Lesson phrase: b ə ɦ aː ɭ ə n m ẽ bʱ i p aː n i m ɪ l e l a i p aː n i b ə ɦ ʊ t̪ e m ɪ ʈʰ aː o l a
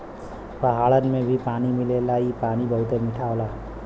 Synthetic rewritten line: p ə ɦ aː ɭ ə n m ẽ bʱ i p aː n i m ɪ l e l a i p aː n i b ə ɦ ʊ t̪ e m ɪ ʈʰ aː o l a